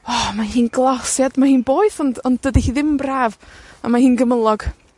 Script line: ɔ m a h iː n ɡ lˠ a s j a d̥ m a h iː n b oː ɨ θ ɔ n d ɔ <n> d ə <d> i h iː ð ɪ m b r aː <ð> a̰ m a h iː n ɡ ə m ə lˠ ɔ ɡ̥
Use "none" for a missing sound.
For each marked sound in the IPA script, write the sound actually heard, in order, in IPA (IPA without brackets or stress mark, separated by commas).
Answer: n, d, v